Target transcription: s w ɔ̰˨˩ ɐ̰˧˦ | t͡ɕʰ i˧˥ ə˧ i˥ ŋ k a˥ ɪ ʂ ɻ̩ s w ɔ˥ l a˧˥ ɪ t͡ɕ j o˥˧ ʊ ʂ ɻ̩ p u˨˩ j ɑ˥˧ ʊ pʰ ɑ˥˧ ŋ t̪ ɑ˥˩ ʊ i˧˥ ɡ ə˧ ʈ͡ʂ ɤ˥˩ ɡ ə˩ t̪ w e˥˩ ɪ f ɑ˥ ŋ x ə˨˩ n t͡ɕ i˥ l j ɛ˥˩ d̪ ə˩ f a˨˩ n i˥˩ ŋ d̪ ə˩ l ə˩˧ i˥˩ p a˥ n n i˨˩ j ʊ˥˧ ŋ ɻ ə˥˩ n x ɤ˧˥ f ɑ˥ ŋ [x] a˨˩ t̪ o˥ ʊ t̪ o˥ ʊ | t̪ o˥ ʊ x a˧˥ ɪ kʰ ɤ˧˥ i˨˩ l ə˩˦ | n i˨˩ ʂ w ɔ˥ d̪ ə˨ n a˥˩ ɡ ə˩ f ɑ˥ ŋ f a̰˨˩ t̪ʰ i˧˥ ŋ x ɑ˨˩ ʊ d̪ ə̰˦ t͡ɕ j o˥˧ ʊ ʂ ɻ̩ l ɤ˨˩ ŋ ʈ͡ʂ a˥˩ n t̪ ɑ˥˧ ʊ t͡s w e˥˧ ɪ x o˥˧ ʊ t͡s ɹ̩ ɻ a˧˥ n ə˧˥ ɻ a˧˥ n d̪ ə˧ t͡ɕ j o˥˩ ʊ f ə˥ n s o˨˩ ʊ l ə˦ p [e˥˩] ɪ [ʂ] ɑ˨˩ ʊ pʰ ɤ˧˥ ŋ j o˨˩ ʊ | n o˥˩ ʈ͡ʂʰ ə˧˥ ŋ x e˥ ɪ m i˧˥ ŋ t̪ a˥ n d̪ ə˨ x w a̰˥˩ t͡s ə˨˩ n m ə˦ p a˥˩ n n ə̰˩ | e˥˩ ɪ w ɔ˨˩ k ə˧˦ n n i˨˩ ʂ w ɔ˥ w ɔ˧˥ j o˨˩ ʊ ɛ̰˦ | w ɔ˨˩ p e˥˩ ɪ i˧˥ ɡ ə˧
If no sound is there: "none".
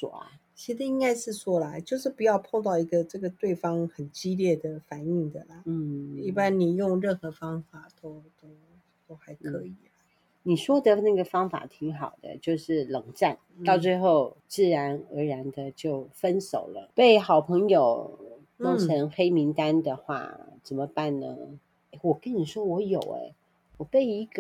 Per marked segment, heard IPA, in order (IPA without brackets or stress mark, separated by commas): f, e˥˩, x